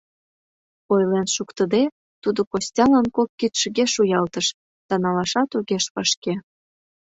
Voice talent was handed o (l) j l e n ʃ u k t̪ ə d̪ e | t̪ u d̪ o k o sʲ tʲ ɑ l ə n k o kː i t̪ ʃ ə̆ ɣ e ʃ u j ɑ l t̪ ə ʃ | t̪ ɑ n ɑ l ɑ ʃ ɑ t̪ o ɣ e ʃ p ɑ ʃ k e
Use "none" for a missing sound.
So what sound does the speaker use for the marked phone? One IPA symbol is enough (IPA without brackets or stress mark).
none